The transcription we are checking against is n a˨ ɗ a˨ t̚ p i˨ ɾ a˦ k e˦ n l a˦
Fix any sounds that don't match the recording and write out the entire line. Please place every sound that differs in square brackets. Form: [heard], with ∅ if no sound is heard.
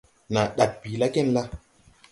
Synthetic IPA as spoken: n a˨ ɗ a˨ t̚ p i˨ [l] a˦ k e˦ n l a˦